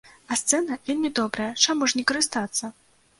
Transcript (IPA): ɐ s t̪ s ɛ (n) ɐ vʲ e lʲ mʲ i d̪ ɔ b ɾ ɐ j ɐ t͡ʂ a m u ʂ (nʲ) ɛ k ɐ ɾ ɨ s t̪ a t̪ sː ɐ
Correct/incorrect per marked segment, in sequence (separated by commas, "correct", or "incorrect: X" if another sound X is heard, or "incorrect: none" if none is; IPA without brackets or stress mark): correct, correct